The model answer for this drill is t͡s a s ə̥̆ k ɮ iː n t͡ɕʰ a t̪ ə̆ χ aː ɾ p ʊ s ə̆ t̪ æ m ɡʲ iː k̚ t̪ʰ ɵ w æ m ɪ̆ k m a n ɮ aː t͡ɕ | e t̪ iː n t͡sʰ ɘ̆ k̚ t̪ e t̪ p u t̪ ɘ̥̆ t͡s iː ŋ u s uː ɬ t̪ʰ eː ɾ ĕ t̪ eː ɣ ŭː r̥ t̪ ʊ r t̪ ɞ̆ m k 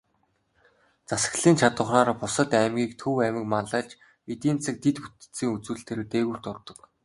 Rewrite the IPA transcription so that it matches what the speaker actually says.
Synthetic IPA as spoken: t͡s a s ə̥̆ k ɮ iː n t͡ɕʰ a t̪ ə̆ χ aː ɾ p ʊ s ə̆ t̪ æ m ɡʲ iː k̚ t̪ʰ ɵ w æ m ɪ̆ k m a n ɮ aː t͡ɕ | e t̪ iː n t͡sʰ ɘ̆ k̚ t̪ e t̪ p u t̪ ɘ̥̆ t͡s iː ŋ u t͡s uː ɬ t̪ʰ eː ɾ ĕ t̪ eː ɣ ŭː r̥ t̪ ʊ r t̪ ɞ̆ k

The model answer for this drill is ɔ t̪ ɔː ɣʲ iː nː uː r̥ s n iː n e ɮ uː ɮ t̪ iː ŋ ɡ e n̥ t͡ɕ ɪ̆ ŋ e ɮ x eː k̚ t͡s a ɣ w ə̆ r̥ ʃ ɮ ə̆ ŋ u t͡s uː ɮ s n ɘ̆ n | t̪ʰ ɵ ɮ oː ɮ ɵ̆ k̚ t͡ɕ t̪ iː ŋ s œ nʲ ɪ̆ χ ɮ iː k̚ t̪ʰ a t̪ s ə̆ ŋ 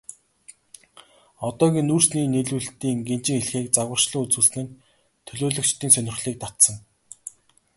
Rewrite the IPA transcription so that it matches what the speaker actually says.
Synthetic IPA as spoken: ɔ t̪ ɔː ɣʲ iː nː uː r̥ s n iː n e ɮ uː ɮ t̪ iː ŋ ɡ e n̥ t͡ɕ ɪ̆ ŋ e ɮ x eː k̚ t͡s a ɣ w ə̆ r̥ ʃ ɮ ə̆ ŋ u t͡s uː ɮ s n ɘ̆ n | t̪ʰ ɵ ɮ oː ɮ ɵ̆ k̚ t͡ɕ t̪ iː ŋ s œ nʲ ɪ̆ χ ɮ iː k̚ t̪ a t̪ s ə̆ ŋ

